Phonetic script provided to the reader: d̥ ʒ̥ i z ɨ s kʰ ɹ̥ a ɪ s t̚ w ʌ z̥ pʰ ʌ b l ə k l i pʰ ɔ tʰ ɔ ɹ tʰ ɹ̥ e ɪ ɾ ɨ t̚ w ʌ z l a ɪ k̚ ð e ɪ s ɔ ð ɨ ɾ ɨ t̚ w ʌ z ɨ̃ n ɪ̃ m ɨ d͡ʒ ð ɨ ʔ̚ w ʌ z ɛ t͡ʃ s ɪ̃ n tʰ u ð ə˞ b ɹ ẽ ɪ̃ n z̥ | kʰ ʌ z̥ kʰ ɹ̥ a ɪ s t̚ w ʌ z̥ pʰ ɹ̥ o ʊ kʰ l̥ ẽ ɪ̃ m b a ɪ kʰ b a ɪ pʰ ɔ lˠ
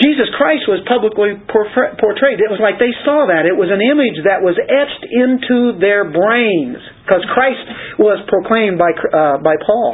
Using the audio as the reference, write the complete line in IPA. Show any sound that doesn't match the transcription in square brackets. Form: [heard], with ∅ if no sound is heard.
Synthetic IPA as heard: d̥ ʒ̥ i z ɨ s kʰ ɹ̥ a ɪ s t̚ w ʌ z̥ pʰ ʌ b l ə k l i pʰ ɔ [pʰ] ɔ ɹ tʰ ɹ̥ e ɪ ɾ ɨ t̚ w ʌ z l a ɪ k̚ ð e ɪ s ɔ ð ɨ ɾ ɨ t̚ w ʌ z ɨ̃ n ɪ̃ m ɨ d͡ʒ ð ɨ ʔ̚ w ʌ z ɛ t͡ʃ [t] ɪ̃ n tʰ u ð ə˞ b ɹ ẽ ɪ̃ n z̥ | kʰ ʌ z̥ kʰ ɹ̥ a ɪ s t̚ w ʌ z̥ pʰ ɹ̥ o ʊ kʰ l̥ ẽ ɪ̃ m b a ɪ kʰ b a ɪ pʰ ɔ lˠ